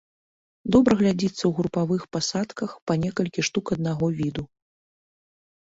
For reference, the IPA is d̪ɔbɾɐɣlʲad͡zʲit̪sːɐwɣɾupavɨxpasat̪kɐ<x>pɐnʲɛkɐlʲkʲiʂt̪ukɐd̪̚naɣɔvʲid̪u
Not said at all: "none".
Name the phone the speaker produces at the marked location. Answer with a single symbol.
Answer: x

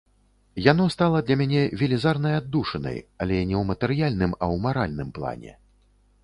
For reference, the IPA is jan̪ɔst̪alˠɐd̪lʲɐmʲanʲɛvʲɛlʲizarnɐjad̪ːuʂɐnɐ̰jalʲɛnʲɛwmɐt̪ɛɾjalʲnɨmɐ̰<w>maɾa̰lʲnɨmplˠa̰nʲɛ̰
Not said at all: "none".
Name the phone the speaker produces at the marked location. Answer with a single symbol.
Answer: w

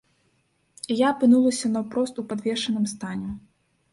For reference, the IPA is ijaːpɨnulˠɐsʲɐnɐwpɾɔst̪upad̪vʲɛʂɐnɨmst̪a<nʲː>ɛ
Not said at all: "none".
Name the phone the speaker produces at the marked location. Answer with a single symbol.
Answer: nʲ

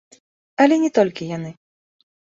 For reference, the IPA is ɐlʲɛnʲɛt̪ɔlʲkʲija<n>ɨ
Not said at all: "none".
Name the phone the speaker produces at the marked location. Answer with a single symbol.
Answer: n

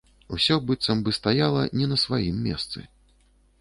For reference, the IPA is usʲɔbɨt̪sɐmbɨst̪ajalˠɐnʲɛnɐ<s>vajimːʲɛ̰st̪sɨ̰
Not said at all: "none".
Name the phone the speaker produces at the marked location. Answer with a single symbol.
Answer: s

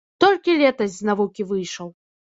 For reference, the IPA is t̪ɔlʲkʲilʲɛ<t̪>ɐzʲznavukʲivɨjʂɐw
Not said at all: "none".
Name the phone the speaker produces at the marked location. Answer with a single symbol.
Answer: t̪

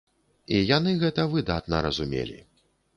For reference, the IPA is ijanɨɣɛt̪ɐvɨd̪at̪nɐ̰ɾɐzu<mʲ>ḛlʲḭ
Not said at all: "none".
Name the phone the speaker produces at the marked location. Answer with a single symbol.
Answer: mʲ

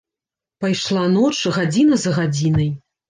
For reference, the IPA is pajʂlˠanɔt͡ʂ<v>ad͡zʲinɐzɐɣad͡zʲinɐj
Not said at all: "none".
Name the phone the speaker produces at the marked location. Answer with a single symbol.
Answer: ɣ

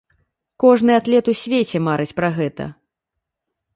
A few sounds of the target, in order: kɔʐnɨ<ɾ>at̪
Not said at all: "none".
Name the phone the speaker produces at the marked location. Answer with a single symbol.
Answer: none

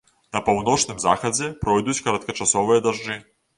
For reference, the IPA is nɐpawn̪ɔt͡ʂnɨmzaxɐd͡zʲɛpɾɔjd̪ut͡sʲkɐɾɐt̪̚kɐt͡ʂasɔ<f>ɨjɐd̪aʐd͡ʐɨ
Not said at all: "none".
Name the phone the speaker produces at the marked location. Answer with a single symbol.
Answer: v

